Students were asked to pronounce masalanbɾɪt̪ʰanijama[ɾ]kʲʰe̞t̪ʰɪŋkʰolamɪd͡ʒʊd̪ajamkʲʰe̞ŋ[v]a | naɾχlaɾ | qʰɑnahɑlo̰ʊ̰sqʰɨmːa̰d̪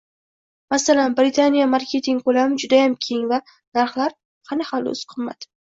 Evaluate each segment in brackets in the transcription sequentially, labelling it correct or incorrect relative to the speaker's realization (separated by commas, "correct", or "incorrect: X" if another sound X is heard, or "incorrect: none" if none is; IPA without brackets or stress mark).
correct, correct